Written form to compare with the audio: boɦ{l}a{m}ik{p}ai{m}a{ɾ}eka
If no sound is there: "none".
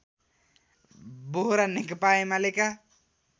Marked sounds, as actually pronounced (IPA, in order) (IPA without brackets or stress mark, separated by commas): ɾ, n, p, m, l